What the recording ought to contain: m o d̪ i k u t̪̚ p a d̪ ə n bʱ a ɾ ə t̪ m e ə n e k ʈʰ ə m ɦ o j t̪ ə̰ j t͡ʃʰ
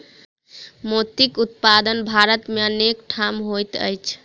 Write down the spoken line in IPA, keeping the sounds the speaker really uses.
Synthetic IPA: m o t̪ i k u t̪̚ p a d̪ ə n bʱ a ɾ ə t̪ m e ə n e k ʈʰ a m ɦ o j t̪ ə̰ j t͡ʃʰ

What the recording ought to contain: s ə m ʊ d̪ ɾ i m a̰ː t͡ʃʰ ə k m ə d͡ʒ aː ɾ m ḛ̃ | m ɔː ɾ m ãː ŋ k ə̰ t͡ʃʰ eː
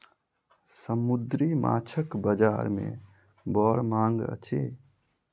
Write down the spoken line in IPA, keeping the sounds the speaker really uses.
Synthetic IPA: s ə m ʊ d̪ ɾ i m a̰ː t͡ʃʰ ə k b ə d͡ʒ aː ɾ m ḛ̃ | b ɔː ɾ m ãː ŋ ɡ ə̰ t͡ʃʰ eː

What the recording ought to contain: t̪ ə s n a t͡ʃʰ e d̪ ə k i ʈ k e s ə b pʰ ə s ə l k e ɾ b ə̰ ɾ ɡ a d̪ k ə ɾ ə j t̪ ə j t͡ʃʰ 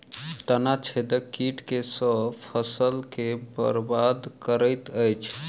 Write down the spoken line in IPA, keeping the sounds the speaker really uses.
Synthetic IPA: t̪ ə n a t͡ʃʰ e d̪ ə k i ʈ k e s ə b pʰ ə s ə l k e b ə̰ ɾ b a d̪ k ə ɾ ə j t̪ ə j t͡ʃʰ

